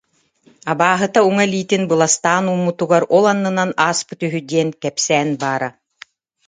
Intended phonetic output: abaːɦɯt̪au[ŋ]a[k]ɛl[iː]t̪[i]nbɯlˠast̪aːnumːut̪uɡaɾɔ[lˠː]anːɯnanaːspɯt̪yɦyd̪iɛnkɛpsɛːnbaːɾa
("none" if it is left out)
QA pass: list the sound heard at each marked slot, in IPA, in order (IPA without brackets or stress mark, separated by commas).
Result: ŋ, none, iː, i, lˠ